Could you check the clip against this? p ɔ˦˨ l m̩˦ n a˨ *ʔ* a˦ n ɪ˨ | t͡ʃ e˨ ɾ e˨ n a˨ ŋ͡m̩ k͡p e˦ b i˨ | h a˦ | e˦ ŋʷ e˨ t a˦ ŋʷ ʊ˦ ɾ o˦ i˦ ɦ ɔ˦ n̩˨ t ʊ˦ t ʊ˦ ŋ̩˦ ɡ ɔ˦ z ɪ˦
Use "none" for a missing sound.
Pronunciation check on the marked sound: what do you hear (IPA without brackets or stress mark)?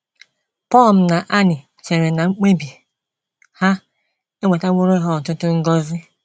ʔ